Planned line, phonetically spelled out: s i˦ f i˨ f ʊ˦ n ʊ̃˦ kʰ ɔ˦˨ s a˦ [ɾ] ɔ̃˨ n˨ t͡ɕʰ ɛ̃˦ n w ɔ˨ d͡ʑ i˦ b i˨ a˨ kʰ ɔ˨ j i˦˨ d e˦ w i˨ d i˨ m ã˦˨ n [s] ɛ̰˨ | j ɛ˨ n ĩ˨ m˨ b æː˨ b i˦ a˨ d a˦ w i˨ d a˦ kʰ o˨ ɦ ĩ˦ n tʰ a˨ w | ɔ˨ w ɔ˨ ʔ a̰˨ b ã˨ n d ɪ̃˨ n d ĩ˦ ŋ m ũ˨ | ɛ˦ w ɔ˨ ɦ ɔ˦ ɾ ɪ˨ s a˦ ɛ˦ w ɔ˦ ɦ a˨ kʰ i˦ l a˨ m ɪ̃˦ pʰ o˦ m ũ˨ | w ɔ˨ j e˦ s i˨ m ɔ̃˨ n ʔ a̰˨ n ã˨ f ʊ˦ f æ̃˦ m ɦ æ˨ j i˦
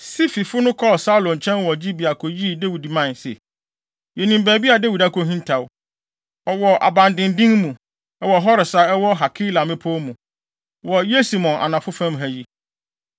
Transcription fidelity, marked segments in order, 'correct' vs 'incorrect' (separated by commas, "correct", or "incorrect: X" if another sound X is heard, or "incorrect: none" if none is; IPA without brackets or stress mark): incorrect: l, correct